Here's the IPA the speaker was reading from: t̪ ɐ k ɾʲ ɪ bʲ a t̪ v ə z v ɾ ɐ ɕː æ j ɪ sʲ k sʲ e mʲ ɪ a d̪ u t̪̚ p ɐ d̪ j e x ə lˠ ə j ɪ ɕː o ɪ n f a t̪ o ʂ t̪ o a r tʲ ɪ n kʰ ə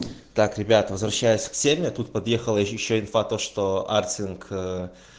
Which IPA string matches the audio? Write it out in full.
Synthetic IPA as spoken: t̪ a k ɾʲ ɪ bʲ a t̪ v ə z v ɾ ɐ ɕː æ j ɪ sʲ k sʲ e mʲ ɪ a t̪ u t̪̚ p ɐ d̪ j e x ə lˠ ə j ɪ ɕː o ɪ n f a t̪ o ʂ t̪ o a r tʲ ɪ n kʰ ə

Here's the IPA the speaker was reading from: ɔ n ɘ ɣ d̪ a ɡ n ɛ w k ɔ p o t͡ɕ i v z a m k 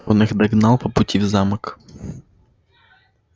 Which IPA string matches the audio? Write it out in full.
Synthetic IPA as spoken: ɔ n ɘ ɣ d̪ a ɡ n a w p ɔ p u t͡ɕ i v z a m k

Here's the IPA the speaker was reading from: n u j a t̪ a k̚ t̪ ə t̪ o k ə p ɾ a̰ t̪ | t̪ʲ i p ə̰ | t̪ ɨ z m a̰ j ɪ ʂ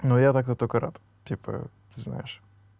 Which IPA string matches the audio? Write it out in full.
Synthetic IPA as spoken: n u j a t̪ a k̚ t̪ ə t̪ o k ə ɾ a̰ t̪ | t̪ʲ i p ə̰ | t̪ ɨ z n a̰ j ɪ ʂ

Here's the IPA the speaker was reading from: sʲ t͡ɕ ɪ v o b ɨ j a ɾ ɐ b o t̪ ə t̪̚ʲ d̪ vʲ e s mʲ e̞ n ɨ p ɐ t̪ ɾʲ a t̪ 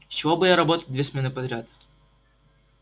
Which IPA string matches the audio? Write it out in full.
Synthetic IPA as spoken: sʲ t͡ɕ ɪ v o b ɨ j a ɾ ɐ b o t̪ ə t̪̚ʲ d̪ vʲ e s mʲ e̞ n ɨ p ɐ d̪ ɾʲ a t̪

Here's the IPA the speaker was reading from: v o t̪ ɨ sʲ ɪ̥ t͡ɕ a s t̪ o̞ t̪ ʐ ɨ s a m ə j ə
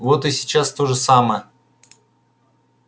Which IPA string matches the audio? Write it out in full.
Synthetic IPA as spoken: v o t̪ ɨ sʲ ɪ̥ t͡ɕ a s t̪ o̞ ʐ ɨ s a m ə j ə

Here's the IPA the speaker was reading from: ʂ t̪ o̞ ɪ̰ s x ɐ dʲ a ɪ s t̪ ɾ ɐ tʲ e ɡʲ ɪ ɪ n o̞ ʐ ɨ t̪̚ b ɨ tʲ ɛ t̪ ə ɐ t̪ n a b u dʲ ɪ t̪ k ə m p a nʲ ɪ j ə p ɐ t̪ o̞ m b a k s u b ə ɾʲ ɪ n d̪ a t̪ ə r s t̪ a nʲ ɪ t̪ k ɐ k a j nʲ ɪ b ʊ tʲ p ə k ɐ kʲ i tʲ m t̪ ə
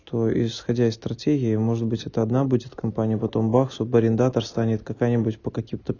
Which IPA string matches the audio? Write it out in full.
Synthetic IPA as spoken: ʂ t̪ o̞ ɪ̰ s x ɐ dʲ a ɪ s t̪ ɾ ɐ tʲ e ɡʲ ɪ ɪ m o̞ ʐ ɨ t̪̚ b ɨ tʲ ɛ t̪ ə ɐ d̪ n a b u dʲ ɪ t̪ k ɐ m p a nʲ ɪ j ə p ɐ t̪ o̞ m b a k s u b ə ɾʲ ɪ n d̪ a t̪ ə r s t̪ a nʲ ɪ t̪ k ɐ k a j nʲ ɪ b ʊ tʲ p ə k ɐ kʲ i m t̪ ə

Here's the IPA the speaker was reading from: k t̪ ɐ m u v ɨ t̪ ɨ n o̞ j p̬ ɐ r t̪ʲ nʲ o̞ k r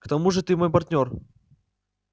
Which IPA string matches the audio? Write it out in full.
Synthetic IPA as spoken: k t̪ ɐ m u ʐ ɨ t̪ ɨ m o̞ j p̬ ɐ r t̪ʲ nʲ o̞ r

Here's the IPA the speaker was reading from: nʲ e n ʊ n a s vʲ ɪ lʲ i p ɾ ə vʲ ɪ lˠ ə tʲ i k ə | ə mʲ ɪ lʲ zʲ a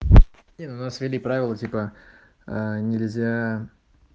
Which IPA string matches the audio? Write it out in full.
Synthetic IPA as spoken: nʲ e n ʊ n a s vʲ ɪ lʲ i p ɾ a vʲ ɪ lˠ ə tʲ i p ə | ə nʲ ɪ lʲ zʲ a

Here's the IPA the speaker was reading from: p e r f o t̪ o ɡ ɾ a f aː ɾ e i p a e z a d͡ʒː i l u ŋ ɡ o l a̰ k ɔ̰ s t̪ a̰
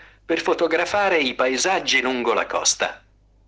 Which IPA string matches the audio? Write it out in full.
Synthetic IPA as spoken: p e r f o t̪ o ɡ ɾ a f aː ɾ e i p a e z a d͡ʒː i l u ŋ ɡ o l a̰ k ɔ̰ s t̪ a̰

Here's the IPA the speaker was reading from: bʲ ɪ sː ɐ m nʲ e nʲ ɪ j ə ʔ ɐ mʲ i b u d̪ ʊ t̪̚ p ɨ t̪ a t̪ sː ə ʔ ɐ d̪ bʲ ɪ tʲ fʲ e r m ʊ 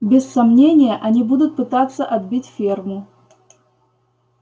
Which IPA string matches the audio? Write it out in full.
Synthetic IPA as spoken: bʲ ɪ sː ɐ m nʲ e nʲ ɪ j ə ʔ ɐ nʲ i b u d̪ ʊ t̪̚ p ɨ t̪ a t̪ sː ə ʔ ɐ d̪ bʲ i tʲ fʲ e r m ʊ

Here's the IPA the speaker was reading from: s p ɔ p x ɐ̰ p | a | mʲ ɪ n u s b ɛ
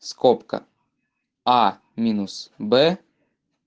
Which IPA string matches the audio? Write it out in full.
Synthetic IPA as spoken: s k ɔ p k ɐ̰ | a | mʲ i n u s b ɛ

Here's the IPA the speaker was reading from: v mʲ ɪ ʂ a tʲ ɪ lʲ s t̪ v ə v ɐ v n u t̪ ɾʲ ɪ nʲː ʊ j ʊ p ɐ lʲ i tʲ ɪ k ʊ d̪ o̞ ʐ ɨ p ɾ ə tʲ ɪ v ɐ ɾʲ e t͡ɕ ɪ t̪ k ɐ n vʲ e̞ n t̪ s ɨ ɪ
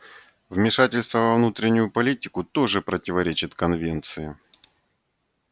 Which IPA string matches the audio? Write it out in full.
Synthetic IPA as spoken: v mʲ ɪ ʂ a tʲ ɪ lʲ s t̪ v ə v ɐ v n u t̪ ɾʲ ɪ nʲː ʊ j ʊ p ɐ lʲ i tʲ ɪ k ʊ t̪ o̞ ʐ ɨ p ɾ ə tʲ ɪ v ɐ ɾʲ e t͡ɕ ɪ t̪ k ɐ n vʲ e̞ n t̪ s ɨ ɪ

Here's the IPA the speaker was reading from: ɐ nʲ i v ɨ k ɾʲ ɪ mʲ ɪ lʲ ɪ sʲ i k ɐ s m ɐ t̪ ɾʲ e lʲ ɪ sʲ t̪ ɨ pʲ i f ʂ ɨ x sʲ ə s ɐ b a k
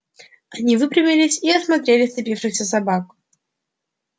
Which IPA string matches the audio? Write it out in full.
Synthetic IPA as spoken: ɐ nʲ i v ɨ p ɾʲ ɪ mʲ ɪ lʲ ɪ sʲ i ɐ s m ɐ t̪ ɾʲ e lʲ ɪ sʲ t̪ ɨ pʲ i f ʂ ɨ x sʲ ə s ɐ b a k

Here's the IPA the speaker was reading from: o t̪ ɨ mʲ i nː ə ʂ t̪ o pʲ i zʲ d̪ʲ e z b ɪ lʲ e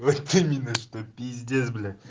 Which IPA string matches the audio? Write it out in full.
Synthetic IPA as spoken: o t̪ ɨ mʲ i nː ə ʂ t̪ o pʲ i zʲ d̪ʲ e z b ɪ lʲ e

